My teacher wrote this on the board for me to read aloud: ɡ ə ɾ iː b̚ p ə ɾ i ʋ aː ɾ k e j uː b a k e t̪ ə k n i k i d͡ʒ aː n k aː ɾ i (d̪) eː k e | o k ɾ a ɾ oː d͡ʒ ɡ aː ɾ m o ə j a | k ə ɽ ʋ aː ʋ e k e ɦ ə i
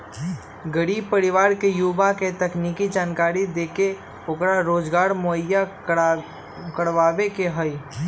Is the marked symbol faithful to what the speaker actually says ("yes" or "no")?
yes